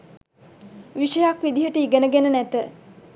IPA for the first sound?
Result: ʋ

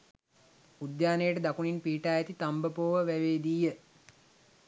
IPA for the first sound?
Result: u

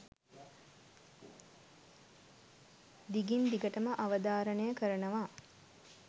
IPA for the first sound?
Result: d̪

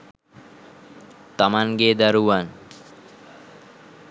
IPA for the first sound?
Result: t̪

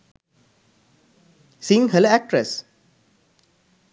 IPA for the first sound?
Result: s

